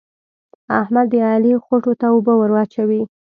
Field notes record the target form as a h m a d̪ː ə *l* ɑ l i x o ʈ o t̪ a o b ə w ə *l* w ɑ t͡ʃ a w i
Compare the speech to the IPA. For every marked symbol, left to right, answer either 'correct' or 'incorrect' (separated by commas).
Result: incorrect, incorrect